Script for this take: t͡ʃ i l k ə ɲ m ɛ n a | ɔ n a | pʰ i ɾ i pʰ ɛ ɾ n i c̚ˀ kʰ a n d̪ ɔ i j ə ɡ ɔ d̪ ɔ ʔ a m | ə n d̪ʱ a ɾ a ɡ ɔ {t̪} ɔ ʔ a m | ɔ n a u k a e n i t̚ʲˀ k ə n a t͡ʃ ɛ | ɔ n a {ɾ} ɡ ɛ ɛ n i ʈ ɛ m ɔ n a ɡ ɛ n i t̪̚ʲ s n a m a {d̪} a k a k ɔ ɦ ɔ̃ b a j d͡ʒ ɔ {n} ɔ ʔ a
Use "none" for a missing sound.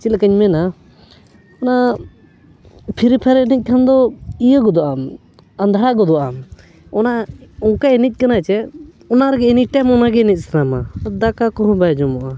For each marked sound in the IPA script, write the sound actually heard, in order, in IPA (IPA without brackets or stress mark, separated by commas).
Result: d̪, ɾ, d̪, m